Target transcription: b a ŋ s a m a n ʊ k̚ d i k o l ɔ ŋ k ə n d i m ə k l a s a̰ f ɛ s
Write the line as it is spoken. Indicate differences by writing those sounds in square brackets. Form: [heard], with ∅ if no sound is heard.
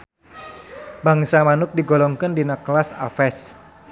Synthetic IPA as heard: b a ŋ s a m a n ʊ k̚ d i [ɡ] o l ɔ ŋ k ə n d i [n] ə k l a s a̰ f ɛ s